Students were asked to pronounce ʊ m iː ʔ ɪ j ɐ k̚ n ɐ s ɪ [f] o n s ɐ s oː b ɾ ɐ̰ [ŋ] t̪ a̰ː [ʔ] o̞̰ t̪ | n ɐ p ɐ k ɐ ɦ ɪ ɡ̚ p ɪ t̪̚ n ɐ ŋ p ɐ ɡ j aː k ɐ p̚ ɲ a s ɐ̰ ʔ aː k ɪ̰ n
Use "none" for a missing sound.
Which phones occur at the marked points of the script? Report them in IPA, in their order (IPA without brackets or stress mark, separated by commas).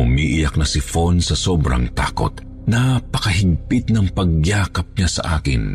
f, ŋ, k